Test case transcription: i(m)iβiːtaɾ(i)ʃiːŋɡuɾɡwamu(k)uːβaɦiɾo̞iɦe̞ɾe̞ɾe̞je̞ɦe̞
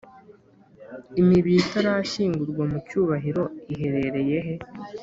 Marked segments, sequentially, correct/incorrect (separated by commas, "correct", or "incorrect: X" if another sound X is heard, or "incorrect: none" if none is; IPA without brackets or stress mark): correct, incorrect: a, incorrect: c